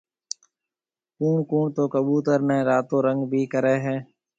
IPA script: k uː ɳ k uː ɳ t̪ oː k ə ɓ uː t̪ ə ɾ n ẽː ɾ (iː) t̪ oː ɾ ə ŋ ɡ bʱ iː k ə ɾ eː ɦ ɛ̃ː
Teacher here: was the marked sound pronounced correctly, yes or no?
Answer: no